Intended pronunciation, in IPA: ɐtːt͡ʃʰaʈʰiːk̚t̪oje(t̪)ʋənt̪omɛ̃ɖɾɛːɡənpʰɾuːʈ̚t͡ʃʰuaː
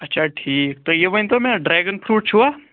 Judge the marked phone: incorrect: none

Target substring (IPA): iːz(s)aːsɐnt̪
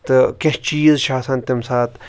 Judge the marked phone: incorrect: ʃ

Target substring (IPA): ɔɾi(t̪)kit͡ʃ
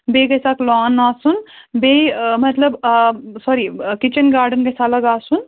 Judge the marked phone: incorrect: none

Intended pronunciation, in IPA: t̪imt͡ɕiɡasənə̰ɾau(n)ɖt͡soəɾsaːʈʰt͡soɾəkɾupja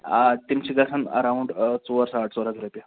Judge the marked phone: incorrect: ɳ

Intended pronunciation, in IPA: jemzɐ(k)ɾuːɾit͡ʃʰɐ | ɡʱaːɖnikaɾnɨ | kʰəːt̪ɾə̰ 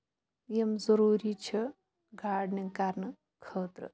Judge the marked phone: incorrect: none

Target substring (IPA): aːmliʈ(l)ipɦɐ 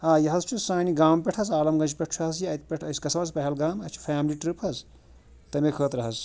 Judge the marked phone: incorrect: ɾ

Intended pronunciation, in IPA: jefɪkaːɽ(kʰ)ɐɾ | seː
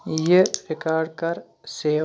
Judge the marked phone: incorrect: k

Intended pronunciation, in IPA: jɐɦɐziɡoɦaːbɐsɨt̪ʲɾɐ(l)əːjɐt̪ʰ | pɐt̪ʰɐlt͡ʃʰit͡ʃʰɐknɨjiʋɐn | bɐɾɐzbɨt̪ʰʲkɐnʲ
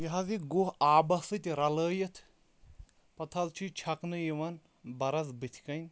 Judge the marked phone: correct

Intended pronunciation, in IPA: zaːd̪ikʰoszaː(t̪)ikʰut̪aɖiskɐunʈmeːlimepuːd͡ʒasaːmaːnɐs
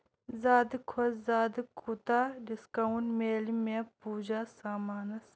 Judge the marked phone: incorrect: d̪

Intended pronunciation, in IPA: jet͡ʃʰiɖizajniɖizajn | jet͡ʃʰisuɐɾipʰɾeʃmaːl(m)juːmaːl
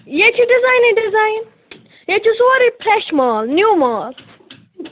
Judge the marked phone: incorrect: n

